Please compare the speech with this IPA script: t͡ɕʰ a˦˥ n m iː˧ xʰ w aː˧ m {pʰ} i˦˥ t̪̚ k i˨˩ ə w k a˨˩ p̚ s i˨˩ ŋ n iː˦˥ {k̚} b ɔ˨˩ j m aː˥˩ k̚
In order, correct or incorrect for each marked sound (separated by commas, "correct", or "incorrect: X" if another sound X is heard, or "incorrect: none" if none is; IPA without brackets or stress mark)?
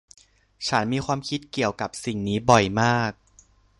incorrect: kʰ, incorrect: none